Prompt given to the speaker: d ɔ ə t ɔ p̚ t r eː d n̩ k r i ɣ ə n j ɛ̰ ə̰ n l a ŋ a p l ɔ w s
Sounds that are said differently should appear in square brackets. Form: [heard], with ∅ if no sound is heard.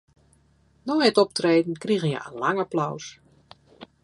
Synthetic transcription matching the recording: [n] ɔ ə t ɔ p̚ t r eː d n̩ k r i ɣ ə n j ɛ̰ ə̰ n l a ŋ a p l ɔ w s